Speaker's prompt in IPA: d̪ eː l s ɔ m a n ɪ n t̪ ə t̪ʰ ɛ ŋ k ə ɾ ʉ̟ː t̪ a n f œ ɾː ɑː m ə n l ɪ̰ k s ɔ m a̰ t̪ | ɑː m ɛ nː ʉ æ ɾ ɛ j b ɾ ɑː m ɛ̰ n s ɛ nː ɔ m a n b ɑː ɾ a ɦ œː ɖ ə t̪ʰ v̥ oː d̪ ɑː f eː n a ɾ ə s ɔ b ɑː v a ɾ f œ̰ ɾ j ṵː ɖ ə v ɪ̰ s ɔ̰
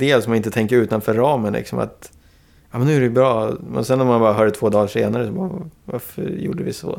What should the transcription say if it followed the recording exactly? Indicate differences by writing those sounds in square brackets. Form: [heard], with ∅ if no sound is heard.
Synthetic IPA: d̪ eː l s ɔ m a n ɪ n t̪ ə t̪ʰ ɛ ŋ k ə ɾ ʉ̟ː t̪ a n f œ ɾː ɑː m ə n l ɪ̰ k s ɔ m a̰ t̪ | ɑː m ɛ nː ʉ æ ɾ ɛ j b ɾ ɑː m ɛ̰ n s ɛ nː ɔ m a n b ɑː ɾ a ɦ œː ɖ ə t̪ʰ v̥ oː d̪ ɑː [ʂ] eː n a ɾ ə s ɔ b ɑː v a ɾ f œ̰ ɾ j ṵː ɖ ə v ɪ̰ s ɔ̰